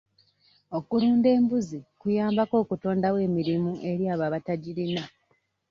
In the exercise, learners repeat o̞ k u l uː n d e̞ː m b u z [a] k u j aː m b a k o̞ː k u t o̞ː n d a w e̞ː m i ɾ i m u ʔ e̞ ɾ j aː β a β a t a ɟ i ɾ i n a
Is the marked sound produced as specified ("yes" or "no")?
no